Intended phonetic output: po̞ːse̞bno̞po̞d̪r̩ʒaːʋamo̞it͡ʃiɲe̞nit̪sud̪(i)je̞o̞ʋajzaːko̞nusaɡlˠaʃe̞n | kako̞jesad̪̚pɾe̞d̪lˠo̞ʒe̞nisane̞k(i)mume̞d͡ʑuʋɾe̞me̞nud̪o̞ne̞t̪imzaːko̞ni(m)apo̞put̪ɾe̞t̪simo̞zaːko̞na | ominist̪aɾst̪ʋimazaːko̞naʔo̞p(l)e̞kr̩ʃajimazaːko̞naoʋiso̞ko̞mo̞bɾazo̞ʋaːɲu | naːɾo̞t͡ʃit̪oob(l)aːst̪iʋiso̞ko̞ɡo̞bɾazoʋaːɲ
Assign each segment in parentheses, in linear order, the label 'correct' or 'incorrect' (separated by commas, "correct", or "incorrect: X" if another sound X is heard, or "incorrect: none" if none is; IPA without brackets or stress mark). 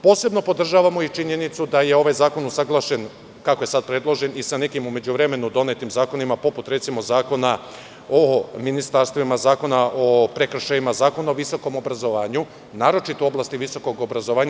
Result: incorrect: a, correct, correct, incorrect: ɾ, correct